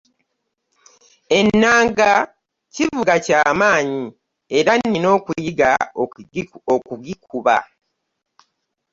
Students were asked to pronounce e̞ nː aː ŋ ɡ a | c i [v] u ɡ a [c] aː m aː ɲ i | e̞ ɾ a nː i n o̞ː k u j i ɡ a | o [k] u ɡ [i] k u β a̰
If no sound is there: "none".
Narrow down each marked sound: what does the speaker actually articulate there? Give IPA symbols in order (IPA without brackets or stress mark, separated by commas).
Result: v, c, k, i